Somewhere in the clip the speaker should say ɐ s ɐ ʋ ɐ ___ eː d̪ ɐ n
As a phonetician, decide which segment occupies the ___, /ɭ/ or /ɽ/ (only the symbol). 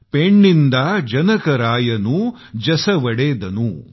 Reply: ɽ